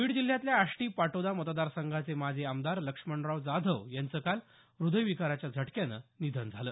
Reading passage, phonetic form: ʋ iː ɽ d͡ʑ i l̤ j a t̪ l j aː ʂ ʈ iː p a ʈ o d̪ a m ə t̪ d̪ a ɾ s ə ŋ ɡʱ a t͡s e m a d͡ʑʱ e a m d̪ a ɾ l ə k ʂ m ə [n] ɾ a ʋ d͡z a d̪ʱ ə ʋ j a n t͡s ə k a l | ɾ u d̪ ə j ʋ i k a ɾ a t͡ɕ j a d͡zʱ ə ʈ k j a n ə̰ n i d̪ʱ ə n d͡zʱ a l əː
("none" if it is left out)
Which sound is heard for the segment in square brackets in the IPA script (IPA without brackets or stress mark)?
ɳ